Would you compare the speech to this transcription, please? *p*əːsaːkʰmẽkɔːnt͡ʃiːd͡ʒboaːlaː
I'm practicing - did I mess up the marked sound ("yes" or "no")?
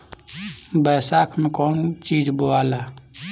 yes